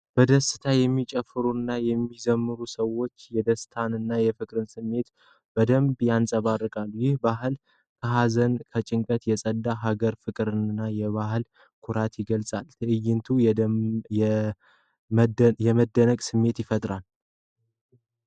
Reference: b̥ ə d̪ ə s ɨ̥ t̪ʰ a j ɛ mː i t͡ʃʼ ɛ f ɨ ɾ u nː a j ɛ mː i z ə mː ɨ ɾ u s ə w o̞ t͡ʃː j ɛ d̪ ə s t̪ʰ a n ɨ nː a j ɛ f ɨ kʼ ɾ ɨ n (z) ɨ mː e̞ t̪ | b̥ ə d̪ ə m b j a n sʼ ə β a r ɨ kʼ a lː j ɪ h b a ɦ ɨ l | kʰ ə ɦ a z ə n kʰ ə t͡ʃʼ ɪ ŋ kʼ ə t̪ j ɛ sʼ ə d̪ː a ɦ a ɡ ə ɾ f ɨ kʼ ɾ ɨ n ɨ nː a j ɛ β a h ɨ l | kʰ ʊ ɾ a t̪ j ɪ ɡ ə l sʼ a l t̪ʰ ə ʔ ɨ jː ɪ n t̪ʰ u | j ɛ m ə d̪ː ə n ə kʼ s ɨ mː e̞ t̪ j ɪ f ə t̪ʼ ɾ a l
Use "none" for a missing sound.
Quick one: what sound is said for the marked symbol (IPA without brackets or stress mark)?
s